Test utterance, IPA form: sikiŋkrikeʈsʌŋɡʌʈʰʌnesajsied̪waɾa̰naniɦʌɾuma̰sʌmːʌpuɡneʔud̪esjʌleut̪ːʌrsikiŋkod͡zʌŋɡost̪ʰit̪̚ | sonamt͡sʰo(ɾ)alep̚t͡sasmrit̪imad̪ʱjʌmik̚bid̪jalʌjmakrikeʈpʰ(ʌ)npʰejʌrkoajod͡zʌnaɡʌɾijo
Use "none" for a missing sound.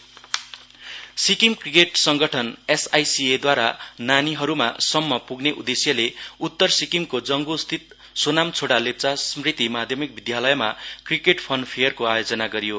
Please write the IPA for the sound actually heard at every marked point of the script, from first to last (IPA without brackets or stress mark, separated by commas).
ɽ, ʌ